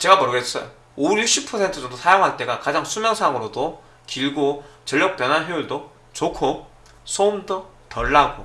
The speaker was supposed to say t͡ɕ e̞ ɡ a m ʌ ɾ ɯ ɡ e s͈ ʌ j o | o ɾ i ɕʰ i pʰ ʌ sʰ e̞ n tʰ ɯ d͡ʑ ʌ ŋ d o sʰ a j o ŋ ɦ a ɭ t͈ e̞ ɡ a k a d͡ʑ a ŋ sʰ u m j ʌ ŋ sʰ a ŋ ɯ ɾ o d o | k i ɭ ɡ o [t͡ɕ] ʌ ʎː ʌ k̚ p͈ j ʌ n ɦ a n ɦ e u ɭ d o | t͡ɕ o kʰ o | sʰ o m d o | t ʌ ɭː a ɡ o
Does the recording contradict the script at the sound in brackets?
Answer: no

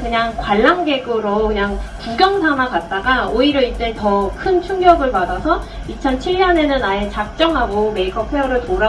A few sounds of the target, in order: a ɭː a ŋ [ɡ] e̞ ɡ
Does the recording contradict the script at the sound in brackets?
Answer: no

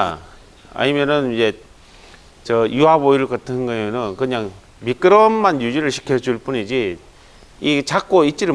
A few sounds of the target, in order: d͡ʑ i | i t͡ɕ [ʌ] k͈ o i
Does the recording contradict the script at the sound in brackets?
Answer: yes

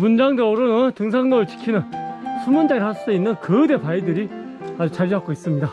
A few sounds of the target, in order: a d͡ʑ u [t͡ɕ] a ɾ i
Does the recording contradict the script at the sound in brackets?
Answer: no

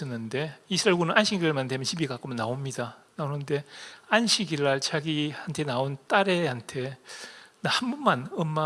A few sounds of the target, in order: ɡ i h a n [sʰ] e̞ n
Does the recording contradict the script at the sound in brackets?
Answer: yes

